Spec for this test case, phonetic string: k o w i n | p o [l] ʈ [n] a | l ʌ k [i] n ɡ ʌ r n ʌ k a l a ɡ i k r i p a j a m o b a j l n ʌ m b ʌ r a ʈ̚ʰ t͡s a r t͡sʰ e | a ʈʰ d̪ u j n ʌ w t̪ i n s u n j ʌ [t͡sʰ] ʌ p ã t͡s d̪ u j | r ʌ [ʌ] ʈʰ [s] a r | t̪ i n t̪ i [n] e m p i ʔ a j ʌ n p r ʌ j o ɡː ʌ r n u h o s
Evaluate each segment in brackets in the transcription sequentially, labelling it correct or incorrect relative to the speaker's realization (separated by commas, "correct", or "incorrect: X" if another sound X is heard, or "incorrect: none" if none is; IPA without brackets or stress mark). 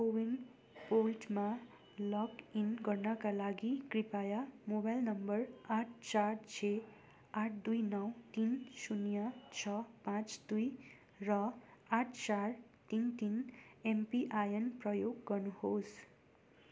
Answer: correct, incorrect: m, correct, correct, incorrect: a, incorrect: t͡s, correct